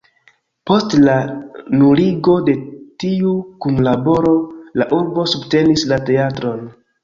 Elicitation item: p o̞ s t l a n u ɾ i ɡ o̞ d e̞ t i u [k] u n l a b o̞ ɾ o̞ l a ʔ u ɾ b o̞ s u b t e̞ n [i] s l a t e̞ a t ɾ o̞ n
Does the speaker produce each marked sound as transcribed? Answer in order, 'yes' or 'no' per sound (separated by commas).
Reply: yes, yes